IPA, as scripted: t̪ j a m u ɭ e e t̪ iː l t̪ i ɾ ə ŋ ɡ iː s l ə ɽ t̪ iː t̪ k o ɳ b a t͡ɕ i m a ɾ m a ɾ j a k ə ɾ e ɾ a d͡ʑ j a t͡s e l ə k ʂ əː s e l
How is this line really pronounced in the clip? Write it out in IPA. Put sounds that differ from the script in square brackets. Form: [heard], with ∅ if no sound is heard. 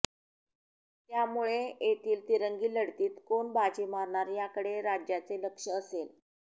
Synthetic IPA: t̪ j a m u ɭ e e t̪ iː l t̪ i ɾ ə ŋ ɡ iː [∅] l ə ɽ t̪ iː t̪ k o ɳ b a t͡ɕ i m a ɾ [ɳ] a ɾ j a k ə [ɽ] e ɾ a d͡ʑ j a t͡s e l ə k ʂ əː s e l